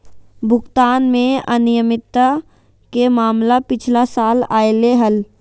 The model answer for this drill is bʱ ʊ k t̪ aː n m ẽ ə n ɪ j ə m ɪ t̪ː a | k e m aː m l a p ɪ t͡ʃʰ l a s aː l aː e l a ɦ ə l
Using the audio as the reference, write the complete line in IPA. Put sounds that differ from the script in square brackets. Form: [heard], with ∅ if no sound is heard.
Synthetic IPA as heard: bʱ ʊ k t̪ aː n m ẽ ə n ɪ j ə m ɪ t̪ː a | k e m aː m l a p ɪ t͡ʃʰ l a s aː l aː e l [e] ɦ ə l